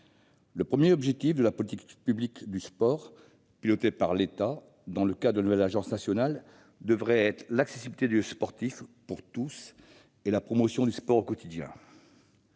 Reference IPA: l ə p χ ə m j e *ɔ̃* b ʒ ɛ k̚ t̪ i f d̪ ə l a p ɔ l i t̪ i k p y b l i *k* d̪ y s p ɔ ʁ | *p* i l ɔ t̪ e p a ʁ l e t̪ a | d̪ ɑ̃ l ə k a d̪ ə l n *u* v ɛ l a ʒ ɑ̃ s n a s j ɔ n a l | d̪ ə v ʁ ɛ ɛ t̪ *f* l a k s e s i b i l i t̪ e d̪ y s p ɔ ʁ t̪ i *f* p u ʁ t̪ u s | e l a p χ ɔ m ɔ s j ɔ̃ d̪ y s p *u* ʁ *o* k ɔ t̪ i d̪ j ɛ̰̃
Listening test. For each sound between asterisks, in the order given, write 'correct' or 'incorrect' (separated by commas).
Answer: incorrect, correct, correct, correct, incorrect, correct, incorrect, correct